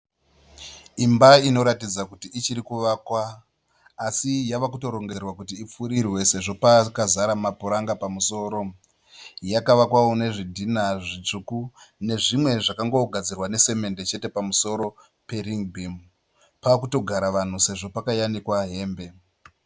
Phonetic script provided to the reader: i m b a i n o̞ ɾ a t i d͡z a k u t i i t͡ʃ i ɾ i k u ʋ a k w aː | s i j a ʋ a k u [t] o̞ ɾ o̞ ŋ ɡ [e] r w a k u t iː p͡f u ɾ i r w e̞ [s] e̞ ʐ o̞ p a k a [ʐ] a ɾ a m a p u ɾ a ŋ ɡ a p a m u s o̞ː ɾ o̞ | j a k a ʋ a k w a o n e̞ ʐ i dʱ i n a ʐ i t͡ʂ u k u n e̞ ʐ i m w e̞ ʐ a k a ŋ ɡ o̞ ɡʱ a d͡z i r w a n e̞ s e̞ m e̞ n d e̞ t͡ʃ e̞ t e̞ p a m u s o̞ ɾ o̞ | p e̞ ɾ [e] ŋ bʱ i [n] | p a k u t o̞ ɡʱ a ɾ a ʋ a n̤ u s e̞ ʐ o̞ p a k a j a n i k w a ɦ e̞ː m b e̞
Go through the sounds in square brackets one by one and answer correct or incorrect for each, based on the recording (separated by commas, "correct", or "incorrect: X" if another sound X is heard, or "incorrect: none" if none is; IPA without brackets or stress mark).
correct, correct, correct, incorrect: z, incorrect: i, incorrect: m